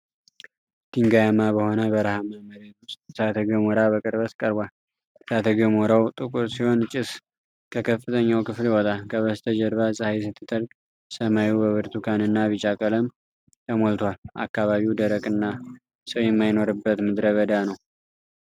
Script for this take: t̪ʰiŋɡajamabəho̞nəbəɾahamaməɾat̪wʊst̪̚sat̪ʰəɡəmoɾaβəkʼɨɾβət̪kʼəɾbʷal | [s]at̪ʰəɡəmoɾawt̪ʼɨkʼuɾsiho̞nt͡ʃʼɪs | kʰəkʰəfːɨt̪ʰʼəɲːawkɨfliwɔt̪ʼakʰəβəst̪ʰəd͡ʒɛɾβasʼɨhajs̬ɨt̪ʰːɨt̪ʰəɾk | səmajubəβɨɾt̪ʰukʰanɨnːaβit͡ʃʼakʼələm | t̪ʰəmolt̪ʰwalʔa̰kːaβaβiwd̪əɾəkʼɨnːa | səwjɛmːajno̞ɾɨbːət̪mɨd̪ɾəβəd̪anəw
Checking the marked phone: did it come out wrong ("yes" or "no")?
no